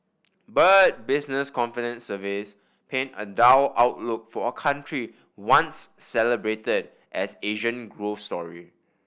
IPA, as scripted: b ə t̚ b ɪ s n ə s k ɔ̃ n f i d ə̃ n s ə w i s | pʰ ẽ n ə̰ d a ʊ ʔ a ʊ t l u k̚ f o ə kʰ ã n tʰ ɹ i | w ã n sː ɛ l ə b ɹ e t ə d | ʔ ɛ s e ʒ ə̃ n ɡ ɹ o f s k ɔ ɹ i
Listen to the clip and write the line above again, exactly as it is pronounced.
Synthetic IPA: b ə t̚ b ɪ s n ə s k ɔ̃ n f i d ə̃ n s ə v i s | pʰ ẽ n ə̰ d a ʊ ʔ a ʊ t l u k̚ f ɔ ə kʰ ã n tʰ ɹ i | w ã n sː ɛ l ə b ɹ e t ə d | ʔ ɛ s e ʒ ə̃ n ɡ ɹ o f s t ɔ ɹ i